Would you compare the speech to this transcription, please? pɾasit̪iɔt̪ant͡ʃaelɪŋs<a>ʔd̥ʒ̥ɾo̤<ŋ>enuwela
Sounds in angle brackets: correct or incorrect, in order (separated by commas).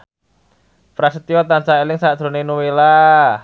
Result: correct, incorrect